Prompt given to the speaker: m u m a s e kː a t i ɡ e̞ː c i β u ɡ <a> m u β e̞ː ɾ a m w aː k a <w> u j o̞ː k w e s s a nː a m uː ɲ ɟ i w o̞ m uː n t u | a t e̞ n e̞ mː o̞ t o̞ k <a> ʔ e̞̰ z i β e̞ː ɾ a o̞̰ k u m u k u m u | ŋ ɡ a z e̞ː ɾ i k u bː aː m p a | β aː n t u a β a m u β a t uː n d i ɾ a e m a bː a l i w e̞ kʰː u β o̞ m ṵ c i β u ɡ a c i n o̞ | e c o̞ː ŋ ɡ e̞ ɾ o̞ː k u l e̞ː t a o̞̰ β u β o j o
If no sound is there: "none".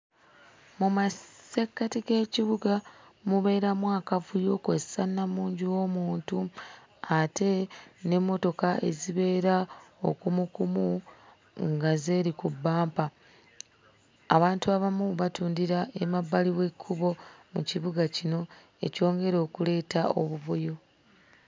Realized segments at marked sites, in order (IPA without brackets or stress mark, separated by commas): a, v, a